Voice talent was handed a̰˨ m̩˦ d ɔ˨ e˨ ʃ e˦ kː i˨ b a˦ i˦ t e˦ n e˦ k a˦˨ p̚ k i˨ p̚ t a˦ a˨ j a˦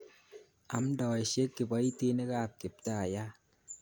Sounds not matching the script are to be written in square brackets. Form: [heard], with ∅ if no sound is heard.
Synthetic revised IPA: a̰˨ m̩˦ d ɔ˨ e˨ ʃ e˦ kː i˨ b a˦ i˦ t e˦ n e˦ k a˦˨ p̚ k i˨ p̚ t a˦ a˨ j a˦